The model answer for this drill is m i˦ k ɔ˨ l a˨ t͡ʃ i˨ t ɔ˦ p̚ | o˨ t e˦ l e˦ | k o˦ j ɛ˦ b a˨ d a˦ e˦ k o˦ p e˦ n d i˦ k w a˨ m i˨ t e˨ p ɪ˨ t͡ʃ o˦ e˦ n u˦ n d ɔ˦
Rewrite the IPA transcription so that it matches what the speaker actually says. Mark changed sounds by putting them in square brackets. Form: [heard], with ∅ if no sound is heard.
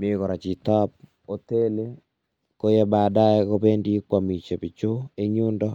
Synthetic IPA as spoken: m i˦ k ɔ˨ [ɾ] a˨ t͡ʃ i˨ t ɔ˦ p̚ | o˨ t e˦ l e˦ | k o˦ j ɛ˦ b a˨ d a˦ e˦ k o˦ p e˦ n d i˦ k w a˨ m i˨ [t͡ʃ] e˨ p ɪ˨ t͡ʃ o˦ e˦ [ɲ] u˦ n d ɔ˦